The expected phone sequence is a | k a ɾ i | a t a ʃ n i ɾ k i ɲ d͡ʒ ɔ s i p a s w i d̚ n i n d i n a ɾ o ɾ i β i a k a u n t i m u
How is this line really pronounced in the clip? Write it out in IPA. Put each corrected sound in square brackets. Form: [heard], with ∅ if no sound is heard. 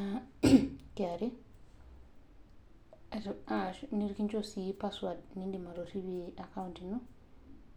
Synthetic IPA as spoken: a | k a ɾ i | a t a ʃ n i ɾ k i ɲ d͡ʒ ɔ s i p a s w [a] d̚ n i n d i [m] a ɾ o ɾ i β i a k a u n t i [n] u